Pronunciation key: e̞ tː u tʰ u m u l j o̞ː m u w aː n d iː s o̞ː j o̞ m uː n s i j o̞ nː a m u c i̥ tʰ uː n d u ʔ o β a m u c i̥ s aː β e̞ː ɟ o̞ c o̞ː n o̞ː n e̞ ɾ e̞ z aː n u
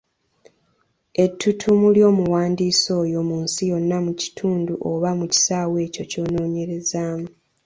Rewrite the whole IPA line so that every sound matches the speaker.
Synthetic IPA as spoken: e̞ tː u tʰ u m u l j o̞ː m u w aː n d iː s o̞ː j o̞ m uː n s i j o̞ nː a m u c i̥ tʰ uː n d u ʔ o β a m u c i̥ s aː w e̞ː c o̞ c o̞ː n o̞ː ɲ e̞ ɾ e̞ z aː m u